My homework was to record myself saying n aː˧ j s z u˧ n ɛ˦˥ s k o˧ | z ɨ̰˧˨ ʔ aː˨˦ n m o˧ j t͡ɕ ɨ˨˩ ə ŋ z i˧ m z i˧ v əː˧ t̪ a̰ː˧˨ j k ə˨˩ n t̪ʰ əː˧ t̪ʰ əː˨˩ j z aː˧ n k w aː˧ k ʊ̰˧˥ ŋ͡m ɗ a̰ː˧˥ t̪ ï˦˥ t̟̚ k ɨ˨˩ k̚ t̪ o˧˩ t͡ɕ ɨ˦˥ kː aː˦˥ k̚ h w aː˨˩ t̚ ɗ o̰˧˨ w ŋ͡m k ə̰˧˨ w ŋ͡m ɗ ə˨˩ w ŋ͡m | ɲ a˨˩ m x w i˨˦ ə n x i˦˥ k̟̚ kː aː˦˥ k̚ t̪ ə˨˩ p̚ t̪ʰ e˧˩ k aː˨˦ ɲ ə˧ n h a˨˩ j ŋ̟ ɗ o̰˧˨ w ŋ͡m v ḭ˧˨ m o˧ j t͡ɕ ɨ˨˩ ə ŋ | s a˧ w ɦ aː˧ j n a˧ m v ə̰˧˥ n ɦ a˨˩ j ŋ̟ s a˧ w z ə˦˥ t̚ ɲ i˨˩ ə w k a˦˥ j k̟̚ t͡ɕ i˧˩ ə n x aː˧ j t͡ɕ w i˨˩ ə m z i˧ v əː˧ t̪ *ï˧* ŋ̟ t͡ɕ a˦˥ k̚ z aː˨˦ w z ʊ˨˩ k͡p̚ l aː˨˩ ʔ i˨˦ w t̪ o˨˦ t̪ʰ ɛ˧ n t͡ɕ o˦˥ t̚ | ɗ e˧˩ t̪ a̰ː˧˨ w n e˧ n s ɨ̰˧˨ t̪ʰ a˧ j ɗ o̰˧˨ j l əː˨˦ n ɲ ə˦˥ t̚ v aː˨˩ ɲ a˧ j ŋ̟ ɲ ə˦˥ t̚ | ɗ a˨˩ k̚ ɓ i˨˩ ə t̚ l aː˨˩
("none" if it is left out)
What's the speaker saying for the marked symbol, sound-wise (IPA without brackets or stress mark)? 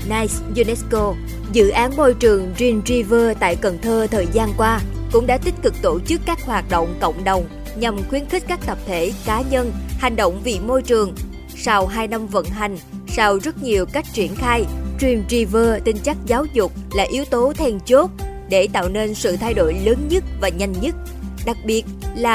ï˧